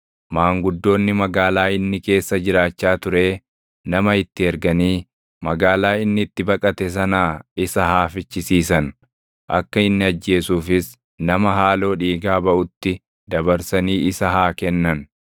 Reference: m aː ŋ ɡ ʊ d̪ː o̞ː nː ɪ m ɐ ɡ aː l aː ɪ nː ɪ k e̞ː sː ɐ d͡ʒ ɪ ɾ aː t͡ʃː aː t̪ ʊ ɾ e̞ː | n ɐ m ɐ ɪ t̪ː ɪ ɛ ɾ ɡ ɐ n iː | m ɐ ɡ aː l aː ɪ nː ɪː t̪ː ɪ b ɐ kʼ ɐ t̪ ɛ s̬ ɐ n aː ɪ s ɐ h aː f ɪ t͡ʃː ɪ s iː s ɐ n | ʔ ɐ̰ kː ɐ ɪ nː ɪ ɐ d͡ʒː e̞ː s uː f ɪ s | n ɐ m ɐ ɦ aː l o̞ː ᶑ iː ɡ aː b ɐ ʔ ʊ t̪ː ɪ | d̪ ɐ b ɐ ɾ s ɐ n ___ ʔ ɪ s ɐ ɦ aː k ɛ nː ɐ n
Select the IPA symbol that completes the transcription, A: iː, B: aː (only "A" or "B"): A